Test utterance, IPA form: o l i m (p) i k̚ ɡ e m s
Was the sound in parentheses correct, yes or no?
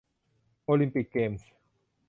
yes